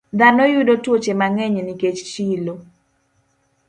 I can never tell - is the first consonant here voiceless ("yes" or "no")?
no